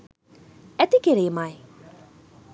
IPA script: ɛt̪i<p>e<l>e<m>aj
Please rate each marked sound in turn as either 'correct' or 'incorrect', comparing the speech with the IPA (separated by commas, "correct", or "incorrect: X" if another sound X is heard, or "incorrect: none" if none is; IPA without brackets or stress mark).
incorrect: k, incorrect: ɾ, correct